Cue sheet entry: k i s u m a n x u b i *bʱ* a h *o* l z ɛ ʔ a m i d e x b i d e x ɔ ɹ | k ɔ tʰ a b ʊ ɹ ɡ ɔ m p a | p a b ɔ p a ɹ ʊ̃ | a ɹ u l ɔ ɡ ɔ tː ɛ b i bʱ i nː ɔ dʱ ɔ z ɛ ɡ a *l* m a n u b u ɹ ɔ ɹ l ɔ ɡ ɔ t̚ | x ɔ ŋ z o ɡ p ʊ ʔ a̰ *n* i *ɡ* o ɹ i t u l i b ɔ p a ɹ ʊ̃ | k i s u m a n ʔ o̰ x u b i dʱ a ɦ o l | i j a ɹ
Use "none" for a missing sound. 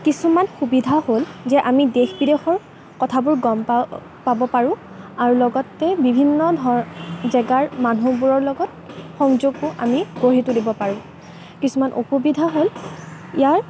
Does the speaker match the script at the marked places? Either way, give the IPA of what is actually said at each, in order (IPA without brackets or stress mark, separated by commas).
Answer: dʱ, o, ɹ, m, ɡ